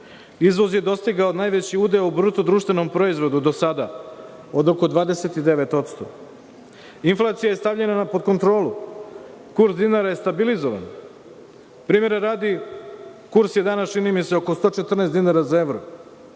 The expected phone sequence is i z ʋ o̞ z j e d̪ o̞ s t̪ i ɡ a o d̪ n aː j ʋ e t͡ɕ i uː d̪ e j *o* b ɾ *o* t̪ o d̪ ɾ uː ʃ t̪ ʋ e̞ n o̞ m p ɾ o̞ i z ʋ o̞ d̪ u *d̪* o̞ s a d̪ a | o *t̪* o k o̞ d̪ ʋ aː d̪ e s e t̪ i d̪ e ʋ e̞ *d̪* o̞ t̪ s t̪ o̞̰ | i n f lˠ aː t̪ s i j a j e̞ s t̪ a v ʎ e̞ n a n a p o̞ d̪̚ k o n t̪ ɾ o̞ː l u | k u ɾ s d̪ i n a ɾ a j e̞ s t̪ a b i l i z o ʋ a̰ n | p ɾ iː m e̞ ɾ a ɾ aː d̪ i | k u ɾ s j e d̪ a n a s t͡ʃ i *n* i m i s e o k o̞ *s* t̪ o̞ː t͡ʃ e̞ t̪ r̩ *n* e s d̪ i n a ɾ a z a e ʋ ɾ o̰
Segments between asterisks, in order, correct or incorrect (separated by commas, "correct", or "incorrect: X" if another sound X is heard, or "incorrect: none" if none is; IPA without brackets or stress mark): incorrect: u, incorrect: u, correct, incorrect: d̪, incorrect: t̪, correct, correct, correct